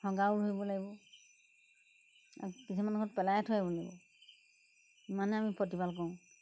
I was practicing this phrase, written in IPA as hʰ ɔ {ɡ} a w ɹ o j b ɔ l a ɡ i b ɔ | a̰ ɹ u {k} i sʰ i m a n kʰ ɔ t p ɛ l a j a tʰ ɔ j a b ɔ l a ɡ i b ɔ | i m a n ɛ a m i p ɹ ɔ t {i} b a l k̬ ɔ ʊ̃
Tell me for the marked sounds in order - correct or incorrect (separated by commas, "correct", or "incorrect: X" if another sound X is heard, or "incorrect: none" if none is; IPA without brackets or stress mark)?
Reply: correct, correct, correct